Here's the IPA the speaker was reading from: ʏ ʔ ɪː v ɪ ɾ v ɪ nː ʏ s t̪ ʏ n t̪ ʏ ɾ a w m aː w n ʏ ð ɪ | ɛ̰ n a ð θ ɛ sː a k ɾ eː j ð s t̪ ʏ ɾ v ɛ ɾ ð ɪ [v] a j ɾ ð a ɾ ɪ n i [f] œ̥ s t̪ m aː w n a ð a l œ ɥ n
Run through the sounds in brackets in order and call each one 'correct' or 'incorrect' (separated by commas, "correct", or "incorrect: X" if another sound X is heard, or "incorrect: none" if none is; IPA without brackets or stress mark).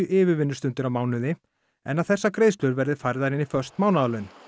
incorrect: f, correct